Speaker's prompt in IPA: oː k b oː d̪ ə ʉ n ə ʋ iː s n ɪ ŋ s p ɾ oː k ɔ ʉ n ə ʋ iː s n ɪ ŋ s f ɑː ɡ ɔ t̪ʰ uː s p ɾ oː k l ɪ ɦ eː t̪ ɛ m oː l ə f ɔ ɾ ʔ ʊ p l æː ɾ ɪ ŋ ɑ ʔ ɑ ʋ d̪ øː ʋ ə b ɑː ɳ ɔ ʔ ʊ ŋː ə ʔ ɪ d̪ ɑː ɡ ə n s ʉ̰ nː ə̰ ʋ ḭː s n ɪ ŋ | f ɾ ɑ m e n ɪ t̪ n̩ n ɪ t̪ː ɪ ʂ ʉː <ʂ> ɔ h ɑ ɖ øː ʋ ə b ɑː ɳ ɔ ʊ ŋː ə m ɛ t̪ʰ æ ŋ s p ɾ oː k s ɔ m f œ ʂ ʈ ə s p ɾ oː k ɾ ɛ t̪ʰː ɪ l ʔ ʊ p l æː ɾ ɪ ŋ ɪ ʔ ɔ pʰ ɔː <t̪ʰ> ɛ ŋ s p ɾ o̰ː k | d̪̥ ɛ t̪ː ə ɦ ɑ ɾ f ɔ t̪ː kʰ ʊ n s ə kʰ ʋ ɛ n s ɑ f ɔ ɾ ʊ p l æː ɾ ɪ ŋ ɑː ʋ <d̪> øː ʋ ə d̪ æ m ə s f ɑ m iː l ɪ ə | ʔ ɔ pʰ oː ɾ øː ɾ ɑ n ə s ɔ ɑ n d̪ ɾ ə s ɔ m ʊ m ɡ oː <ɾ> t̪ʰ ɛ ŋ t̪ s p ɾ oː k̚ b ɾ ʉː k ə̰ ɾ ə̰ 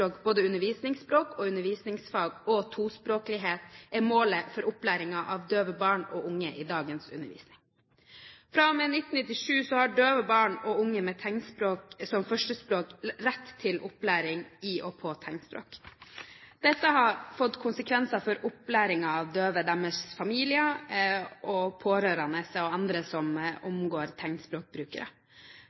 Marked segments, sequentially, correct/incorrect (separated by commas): incorrect, correct, correct, correct